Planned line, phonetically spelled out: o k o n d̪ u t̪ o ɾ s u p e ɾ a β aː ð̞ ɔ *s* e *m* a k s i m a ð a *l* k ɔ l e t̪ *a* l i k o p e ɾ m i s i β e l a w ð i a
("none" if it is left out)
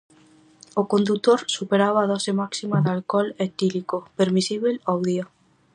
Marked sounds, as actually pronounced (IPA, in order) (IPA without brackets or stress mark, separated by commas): s, m, l, i